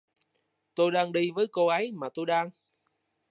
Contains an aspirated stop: no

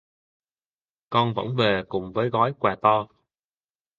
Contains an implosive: no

